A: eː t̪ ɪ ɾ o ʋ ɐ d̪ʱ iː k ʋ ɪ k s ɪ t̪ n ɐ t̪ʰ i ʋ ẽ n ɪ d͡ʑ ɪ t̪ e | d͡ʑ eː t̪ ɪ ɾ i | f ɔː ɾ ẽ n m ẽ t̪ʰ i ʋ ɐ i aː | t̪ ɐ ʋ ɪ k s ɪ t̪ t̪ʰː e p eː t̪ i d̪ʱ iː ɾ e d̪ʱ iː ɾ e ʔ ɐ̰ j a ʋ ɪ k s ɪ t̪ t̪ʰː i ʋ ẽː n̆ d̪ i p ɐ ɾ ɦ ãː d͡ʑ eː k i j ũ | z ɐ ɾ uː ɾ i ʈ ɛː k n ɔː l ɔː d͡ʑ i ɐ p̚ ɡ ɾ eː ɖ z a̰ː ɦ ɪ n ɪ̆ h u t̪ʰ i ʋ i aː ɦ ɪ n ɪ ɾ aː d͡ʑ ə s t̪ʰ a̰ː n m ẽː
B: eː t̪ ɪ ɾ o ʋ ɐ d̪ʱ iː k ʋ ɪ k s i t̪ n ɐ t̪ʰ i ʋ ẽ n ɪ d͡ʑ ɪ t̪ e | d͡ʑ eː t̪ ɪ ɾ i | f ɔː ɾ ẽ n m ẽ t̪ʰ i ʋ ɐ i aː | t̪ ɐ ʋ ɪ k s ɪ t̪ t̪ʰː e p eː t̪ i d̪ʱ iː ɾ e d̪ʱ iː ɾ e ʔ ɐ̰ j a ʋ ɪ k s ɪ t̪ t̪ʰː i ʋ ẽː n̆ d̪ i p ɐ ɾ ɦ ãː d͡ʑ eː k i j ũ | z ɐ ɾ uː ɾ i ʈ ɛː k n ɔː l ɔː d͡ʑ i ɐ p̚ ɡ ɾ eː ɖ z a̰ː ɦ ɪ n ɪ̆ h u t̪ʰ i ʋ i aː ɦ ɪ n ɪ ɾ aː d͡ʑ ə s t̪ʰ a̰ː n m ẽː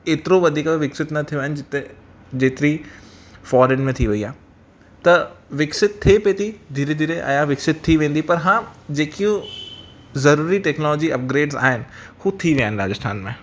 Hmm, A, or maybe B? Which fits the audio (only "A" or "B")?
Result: A